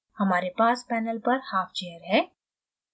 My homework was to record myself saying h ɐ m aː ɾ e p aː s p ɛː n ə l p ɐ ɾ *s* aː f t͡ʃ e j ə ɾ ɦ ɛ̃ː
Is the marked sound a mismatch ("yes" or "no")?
yes